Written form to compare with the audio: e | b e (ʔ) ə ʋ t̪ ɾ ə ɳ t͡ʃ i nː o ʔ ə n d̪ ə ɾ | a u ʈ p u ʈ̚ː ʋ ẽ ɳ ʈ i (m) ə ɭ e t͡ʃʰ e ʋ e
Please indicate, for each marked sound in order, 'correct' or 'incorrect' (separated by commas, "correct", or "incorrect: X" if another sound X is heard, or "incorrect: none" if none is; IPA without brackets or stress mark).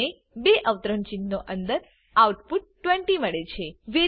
correct, correct